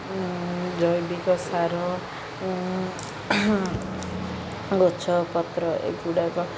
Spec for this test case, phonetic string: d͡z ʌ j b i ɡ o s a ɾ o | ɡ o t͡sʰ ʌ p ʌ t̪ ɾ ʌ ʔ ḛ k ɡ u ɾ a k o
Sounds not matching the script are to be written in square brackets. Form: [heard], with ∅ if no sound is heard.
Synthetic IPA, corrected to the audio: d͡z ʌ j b i [k] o s a ɾ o | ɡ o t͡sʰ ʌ p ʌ t̪ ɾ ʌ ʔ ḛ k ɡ u [ɽ] a k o